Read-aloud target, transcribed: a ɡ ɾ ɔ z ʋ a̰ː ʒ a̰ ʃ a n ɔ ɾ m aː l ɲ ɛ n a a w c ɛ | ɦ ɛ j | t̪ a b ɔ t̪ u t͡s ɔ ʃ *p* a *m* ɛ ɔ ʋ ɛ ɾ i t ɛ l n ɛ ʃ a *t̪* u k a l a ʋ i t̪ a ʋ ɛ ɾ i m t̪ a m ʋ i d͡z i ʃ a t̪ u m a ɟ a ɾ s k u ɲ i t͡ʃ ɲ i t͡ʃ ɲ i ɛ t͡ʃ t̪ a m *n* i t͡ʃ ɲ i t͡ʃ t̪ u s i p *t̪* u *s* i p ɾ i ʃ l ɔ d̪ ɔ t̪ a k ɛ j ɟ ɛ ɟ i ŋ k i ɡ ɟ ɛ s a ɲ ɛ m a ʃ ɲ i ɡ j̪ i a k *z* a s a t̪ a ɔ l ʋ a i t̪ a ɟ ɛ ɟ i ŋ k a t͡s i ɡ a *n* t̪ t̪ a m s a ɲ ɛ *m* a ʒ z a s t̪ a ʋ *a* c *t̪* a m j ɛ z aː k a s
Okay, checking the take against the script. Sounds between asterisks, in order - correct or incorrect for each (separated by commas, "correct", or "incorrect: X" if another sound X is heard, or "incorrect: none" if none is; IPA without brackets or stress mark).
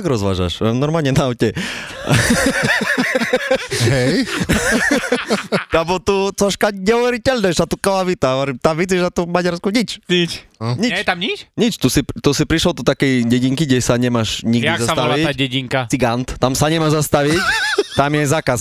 incorrect: k, incorrect: ɲ, correct, incorrect: ɲ, correct, correct, correct, correct, correct, incorrect: i, correct